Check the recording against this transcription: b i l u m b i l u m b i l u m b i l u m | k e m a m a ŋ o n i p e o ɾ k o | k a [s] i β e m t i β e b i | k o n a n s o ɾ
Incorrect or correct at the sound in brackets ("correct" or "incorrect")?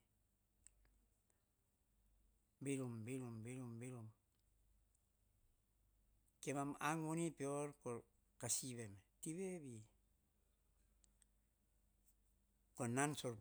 correct